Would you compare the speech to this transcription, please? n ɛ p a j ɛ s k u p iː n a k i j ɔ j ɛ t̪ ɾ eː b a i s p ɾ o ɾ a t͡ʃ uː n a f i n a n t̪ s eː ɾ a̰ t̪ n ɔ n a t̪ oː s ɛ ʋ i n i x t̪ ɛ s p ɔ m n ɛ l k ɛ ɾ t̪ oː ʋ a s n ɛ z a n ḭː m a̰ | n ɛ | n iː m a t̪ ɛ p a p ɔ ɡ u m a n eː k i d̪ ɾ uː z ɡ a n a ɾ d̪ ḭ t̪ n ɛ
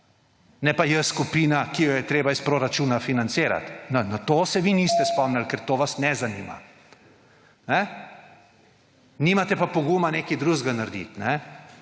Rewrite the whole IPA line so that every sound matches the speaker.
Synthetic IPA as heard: n ɛ p a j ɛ s k u p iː n a k i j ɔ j ɛ t̪ ɾ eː b a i s p ɾ o ɾ a t͡ʃ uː n a f i n a n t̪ s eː ɾ a̰ t̪ n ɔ n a t̪ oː s ɛ ʋ i n i s t̪ ɛ s p ɔ m n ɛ l k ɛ ɾ t̪ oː ʋ a s n ɛ z a n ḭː m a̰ | n ɛ | n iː m a t̪ ɛ p a p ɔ ɡ u m a n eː k i d̪ ɾ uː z ɡ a n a ɾ d̪ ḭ t̪ n ɛ